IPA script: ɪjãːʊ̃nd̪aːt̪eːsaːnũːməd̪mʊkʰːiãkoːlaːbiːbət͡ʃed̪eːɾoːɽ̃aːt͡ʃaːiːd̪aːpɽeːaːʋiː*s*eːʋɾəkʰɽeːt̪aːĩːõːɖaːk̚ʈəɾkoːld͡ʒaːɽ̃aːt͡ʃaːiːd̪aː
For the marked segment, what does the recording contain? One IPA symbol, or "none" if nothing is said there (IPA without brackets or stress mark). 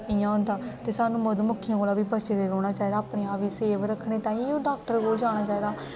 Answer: s